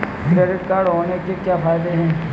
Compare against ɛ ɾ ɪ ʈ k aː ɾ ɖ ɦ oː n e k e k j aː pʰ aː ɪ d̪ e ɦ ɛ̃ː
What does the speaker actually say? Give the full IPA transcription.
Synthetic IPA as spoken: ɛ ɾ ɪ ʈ k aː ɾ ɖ ɦ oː n e k e k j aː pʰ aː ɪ d̪ e ɦ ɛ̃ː